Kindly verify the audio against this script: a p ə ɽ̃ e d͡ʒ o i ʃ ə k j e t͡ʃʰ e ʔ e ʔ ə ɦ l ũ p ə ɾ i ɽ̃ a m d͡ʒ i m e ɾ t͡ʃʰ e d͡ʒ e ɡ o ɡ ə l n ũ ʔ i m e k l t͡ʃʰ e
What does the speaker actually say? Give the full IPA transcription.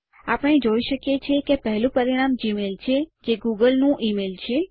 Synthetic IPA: a p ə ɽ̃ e d͡ʒ o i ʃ ə k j e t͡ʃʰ e k e p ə ɦ l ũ p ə ɾ i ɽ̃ a m d͡ʒ i m e l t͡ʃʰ e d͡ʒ e ɡ u ɡ ə l n ũ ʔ i m e l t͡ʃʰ e